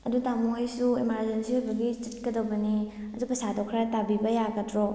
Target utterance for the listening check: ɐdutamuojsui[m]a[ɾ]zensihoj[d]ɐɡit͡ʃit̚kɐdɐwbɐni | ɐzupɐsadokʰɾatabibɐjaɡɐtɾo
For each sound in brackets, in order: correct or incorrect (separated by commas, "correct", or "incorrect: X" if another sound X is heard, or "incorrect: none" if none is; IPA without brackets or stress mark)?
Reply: correct, correct, incorrect: b